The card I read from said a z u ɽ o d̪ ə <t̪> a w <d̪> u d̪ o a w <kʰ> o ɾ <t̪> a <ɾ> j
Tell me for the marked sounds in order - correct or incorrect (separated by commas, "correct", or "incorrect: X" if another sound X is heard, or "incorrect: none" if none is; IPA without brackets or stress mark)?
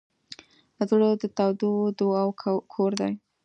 correct, correct, correct, incorrect: d̪, incorrect: none